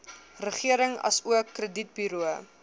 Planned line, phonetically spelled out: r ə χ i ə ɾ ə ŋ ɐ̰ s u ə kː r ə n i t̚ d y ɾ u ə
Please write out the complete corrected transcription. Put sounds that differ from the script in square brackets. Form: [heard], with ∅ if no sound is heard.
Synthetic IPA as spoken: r ə χ i ə ɾ ə ŋ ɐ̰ s u ə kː r ə [d] i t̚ [b] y ɾ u ə